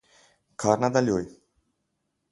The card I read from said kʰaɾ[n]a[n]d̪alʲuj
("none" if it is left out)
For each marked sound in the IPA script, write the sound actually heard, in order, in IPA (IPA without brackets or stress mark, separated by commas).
n, none